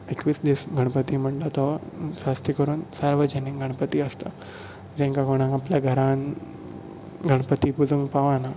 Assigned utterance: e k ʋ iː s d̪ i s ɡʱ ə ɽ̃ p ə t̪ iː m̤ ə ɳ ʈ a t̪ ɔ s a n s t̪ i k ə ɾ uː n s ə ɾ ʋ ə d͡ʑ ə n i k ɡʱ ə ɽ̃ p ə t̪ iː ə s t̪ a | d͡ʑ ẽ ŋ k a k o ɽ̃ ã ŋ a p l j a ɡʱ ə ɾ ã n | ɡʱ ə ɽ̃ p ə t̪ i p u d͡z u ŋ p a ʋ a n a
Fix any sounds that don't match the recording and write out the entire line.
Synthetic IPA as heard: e k ʋ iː s d̪ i s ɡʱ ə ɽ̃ p ə t̪ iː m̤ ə ɳ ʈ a t̪ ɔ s a s t̪ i k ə ɾ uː n s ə ɾ ʋ ə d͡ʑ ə n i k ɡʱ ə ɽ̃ p ə t̪ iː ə s t̪ a | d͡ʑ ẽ ŋ k a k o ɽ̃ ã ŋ a p l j a ɡʱ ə ɾ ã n | ɡʱ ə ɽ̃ p ə t̪ i p u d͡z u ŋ p a ʋ a n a